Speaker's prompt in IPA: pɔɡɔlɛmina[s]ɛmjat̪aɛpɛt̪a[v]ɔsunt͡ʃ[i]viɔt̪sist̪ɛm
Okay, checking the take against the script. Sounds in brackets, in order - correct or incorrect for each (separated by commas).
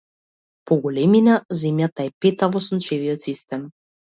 incorrect, correct, incorrect